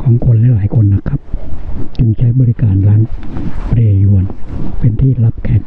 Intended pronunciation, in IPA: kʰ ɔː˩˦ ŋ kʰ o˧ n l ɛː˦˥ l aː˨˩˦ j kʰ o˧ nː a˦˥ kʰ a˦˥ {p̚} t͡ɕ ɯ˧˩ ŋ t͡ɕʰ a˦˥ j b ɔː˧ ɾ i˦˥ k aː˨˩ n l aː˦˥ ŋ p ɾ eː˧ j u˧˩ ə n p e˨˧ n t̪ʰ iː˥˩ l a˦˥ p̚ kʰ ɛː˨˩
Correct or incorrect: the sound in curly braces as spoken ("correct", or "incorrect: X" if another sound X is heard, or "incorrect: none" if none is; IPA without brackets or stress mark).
correct